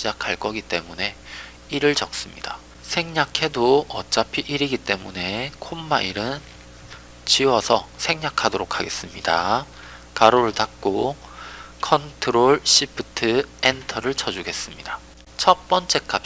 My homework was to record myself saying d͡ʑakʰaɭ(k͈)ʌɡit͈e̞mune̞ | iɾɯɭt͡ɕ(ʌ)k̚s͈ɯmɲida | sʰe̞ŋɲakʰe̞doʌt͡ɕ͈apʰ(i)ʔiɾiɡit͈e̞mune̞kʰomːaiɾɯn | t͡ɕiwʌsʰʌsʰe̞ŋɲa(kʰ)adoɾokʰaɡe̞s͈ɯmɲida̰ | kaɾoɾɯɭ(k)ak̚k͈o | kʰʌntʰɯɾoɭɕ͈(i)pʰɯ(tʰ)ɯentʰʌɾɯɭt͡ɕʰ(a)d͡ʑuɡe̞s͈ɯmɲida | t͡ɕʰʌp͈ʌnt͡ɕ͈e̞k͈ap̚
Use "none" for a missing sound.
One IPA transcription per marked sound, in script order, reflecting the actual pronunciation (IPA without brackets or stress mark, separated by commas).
k͈, ʌ, i, kʰ, t, i, tʰ, ʌ